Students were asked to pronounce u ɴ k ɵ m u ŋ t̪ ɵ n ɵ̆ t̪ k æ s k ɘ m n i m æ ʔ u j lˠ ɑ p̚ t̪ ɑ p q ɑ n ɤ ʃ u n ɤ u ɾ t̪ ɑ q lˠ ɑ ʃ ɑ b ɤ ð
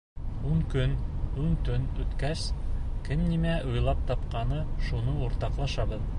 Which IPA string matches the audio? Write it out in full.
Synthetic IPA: u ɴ k ɵ n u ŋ t̪ ɵ n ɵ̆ t̪ k æ s k ɘ m n i m æ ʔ u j lˠ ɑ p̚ t̪ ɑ p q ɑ n ɤ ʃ u n ɤ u ɾ t̪ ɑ q lˠ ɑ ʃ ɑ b ɤ ð